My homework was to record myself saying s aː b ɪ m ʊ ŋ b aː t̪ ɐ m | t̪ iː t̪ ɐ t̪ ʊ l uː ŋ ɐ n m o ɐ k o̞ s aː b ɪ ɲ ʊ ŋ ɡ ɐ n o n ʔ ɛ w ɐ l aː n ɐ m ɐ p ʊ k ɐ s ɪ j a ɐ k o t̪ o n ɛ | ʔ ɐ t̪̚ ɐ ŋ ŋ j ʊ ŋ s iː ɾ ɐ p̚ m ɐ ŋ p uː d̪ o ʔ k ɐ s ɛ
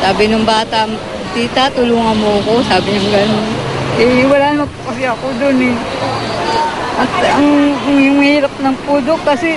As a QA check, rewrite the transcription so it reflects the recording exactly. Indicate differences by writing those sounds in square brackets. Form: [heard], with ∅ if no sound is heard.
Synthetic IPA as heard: s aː b ɪ [n] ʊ ŋ b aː t̪ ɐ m | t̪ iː t̪ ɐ t̪ ʊ l uː ŋ ɐ n m o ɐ k o̞ s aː b ɪ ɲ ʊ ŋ ɡ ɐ n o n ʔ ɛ w ɐ l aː n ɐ m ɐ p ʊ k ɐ s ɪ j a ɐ k o [d̪] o n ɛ | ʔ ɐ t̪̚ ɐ ŋ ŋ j ʊ ŋ [h] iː ɾ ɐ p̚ [n] ɐ ŋ p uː d̪ o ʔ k ɐ s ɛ